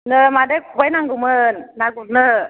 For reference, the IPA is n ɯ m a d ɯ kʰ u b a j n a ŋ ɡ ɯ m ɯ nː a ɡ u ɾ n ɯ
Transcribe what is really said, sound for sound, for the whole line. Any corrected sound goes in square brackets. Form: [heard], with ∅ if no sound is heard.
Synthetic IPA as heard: n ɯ m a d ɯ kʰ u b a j n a ŋ ɡ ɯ m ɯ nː a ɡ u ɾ n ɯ